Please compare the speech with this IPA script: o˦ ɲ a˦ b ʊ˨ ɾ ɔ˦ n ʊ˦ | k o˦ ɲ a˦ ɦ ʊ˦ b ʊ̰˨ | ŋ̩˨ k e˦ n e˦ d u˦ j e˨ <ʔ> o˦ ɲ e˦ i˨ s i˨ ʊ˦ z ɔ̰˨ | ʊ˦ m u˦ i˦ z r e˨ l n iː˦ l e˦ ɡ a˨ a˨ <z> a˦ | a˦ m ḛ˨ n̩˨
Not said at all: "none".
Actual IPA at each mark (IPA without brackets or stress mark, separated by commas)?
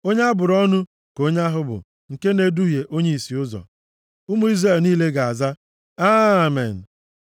ʔ, z